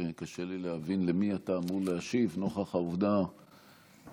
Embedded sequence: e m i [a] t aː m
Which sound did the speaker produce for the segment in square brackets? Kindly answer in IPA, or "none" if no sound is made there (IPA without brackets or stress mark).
a